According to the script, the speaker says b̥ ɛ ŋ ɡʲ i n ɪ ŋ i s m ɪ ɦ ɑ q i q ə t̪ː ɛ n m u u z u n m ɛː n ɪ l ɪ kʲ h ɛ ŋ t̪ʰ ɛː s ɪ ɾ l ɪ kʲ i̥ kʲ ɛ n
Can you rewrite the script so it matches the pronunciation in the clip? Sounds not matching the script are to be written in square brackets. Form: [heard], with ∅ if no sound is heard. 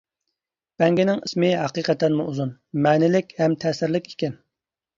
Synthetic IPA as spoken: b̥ ɛ ŋ ɡʲ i n ɪ ŋ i s m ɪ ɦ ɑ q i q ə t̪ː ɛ n m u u z u n m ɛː n ɪ l ɪ kʲ h ɛ [m] t̪ʰ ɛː s ɪ ɾ l ɪ kʲ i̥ kʲ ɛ n